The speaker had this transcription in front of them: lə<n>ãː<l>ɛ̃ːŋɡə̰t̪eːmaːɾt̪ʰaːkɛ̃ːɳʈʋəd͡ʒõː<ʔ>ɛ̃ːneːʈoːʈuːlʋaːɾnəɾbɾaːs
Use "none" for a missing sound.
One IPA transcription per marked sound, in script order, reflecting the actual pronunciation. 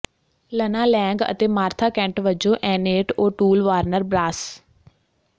n, l, ʔ

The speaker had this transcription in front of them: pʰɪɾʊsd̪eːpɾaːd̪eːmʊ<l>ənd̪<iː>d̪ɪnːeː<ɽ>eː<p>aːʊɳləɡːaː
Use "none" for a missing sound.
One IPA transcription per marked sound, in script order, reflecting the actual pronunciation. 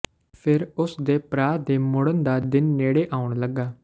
ɽ, aː, ɽ, ʔ

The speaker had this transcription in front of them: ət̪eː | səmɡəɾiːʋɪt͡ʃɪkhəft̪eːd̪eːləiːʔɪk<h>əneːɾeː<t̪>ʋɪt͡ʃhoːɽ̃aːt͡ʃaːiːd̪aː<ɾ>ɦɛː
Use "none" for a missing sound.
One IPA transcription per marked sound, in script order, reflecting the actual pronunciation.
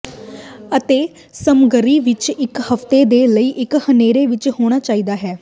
h, none, none

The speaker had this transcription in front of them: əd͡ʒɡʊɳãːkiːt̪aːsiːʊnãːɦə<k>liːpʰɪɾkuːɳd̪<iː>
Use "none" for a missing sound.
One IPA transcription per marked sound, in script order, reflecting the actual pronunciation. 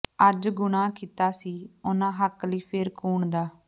k, aː

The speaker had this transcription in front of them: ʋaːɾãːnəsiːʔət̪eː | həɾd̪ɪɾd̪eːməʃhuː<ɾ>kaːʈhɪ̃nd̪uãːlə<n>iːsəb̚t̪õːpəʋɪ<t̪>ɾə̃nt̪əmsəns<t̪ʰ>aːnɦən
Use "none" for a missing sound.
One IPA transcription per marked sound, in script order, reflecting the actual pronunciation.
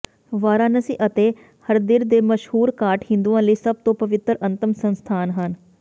ɾ, none, t̪, t̪ʰ

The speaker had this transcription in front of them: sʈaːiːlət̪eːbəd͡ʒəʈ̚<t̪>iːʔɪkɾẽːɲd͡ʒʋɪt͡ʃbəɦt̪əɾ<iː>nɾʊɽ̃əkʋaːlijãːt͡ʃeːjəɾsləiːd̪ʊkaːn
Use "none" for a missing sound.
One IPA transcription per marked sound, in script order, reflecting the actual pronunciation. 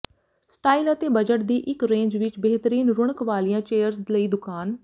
d̪, iː

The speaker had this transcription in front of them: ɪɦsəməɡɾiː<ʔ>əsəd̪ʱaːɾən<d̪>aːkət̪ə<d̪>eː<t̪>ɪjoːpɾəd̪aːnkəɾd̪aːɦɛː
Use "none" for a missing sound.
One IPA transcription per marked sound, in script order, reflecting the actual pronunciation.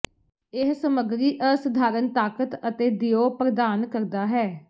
ʔ, t̪, t̪, d̪

